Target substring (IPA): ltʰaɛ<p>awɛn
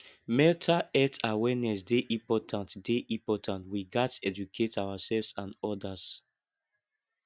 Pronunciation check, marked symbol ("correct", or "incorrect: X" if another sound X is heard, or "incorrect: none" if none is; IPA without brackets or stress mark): incorrect: t